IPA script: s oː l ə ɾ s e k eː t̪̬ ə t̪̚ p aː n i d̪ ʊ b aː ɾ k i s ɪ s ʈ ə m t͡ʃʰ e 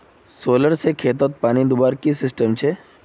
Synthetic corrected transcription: s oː l ə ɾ s e kʰ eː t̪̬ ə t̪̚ p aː n i d̪ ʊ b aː ɾ k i s ɪ s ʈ ə m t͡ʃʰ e

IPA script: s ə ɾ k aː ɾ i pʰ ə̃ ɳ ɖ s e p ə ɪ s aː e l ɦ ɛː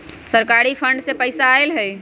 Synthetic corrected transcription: s ə ɾ k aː ɾ i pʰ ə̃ ɳ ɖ s e p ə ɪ s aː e l ɦ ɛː

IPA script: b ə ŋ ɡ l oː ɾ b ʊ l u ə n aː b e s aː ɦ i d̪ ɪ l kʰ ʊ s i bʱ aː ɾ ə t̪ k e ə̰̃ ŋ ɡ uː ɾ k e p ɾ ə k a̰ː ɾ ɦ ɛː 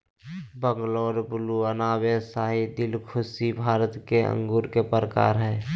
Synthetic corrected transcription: b ə ŋ ɡ l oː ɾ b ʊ l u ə n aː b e s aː ɦ i d̪ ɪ l kʰ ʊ s i bʱ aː ɾ ə t̪ k e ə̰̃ ŋ ɡ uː ɾ k e p ɾ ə k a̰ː ɾ ɦ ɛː

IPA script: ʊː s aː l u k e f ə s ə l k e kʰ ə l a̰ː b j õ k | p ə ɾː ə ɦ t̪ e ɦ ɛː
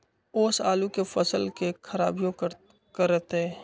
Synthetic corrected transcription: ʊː s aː l u k e f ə s ə l k e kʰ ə ɾ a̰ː b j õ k | k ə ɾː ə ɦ t̪ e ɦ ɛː

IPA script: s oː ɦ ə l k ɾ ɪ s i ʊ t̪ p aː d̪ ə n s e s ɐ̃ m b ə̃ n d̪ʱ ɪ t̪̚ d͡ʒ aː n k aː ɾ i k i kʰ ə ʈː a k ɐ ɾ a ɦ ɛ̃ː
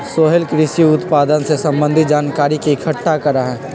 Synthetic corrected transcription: s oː ɦ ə l k ɾ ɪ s i ʊ t̪ p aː d̪ ə n s e s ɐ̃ m b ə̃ n d̪ʱ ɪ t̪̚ d͡ʒ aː n k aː ɾ i k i kʰ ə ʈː a k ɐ ɾ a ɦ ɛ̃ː

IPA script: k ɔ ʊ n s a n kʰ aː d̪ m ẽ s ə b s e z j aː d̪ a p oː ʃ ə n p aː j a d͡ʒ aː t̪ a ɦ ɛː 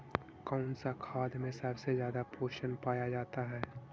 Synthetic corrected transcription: k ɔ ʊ n s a kʰ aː d̪ m ẽ s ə b s e z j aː d̪ a p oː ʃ ə n p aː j a d͡ʒ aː t̪ a ɦ ɛː

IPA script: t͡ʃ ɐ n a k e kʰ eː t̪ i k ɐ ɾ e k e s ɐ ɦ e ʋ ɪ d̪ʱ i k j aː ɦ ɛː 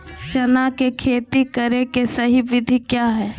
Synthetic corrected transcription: t͡ʃ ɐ n a k e kʰ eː t̪ i k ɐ ɾ e k e s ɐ ɦ i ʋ ɪ d̪ʱ i k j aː ɦ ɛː

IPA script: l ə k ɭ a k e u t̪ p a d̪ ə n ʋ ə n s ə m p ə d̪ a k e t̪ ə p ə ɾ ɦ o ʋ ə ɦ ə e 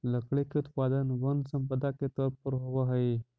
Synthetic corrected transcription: l ə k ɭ e k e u t̪ p a d̪ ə n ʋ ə n s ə m p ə d̪ a k e t̪ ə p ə ɾ ɦ o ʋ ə ɦ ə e

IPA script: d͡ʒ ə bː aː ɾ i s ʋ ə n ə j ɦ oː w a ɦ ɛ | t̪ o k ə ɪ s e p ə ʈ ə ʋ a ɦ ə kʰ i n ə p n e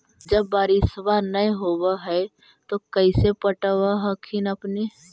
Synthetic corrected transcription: d͡ʒ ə bː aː ɾ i s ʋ a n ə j ɦ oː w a ɦ ɛ | t̪ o k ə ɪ s e p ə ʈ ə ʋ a ɦ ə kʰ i n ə p n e

